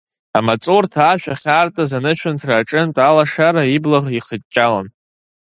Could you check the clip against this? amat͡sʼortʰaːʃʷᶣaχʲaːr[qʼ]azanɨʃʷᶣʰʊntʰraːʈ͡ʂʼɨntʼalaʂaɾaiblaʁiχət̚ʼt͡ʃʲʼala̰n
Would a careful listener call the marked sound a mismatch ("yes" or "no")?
yes